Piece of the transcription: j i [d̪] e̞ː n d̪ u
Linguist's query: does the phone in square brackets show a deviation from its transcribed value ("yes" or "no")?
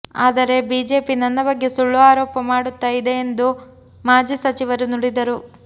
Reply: no